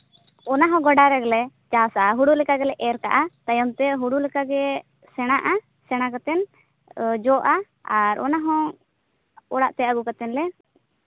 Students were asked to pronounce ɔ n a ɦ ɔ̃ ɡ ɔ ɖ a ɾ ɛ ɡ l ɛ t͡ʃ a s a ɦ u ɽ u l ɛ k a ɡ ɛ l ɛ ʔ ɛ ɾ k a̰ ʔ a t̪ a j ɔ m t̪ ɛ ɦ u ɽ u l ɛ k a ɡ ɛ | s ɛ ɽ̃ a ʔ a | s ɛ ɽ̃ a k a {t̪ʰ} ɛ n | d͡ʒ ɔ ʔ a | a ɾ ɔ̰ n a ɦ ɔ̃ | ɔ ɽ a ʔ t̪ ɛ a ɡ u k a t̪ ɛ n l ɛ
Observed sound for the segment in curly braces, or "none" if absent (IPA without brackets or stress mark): t̪